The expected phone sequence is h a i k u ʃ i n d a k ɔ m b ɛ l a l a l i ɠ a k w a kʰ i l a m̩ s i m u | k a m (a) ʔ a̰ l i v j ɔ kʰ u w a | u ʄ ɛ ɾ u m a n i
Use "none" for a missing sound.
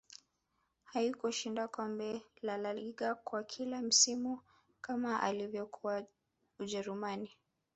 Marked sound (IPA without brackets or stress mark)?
a